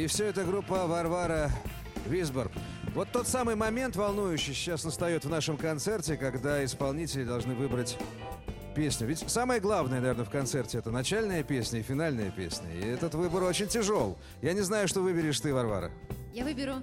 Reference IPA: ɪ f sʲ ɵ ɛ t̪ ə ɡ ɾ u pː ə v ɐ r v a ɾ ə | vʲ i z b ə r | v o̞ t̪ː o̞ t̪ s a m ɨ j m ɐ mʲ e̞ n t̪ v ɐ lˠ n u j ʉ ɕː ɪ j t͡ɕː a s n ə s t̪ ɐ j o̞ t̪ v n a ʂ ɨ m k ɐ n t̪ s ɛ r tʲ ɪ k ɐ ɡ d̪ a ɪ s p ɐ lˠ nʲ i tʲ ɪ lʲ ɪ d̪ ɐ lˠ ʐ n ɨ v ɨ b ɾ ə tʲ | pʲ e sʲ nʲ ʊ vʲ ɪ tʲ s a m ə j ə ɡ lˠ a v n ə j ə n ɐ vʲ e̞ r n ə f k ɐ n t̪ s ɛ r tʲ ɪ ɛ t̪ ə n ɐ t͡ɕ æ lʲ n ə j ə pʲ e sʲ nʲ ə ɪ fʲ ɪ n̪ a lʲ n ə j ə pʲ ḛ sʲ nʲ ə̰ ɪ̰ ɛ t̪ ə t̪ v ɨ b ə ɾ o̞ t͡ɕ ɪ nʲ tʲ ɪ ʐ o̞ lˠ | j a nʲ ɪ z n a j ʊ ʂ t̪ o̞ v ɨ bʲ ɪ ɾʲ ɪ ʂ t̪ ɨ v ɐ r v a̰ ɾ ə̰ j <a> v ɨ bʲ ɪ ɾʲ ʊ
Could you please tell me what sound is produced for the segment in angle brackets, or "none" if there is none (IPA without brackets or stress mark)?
a